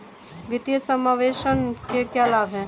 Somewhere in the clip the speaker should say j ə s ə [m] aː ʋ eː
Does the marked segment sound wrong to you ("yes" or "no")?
no